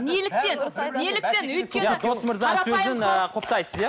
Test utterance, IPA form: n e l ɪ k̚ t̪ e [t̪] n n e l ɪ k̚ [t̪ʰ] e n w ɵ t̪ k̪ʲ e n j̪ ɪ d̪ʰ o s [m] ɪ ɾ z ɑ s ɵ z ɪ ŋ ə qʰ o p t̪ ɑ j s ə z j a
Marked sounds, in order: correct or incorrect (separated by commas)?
incorrect, incorrect, correct